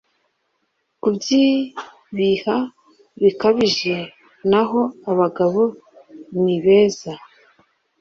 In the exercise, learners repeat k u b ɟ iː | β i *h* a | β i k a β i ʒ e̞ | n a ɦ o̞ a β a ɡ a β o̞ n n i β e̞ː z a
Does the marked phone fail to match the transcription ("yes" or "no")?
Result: no